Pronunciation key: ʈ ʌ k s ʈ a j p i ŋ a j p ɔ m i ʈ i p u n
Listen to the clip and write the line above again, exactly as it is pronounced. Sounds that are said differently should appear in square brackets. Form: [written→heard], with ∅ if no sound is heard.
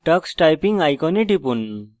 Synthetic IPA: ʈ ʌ k s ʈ a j p i ŋ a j [p→k] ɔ [m→n] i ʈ i p u n